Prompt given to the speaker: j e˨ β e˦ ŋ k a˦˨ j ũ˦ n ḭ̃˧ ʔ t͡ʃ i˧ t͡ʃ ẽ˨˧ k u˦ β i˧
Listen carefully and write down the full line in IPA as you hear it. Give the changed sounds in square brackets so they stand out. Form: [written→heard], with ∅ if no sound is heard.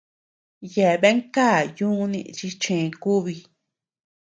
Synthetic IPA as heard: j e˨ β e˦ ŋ k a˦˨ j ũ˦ n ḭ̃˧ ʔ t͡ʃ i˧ t͡ʃ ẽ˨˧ k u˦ β i˧